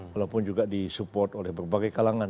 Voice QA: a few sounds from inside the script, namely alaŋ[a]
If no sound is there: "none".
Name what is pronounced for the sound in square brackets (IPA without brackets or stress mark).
a